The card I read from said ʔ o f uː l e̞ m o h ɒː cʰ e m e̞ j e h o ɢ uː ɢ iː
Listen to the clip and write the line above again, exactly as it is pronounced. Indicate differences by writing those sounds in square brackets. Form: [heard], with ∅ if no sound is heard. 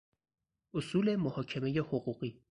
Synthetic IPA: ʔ o [s] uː l e̞ m o h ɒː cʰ e m e̞ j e h o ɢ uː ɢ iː